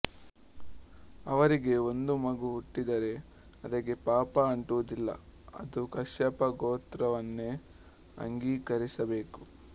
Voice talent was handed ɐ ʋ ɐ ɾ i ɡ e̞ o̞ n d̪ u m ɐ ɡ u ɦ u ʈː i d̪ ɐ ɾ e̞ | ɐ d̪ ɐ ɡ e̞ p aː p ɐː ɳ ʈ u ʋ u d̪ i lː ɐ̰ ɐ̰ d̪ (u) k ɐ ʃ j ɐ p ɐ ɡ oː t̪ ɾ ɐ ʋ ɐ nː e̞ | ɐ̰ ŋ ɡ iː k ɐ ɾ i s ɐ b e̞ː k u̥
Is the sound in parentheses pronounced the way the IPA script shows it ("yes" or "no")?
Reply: yes